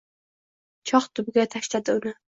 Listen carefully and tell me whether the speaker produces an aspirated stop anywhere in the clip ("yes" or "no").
yes